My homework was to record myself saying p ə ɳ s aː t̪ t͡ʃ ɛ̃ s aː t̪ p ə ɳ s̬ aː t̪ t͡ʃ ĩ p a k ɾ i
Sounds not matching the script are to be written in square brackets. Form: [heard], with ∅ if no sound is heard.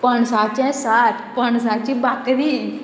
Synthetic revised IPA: p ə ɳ s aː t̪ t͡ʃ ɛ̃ s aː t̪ p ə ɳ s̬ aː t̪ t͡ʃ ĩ [b] a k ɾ i